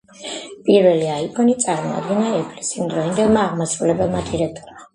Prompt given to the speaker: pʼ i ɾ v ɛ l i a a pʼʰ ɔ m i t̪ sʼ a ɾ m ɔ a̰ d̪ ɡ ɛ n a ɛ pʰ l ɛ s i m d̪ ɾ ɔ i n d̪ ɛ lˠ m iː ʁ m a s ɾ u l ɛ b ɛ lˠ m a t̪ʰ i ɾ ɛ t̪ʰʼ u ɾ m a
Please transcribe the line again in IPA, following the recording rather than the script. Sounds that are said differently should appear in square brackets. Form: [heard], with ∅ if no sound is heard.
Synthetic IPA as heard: pʼ i ɾ v ɛ l i a [i] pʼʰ ɔ [n] i t̪ sʼ a ɾ m ɔ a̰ d̪ ɡ ɛ n a ɛ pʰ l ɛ s i m d̪ ɾ ɔ i n d̪ ɛ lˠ m [aː] ʁ m a s ɾ u l ɛ b ɛ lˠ m a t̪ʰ i ɾ ɛ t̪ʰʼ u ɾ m a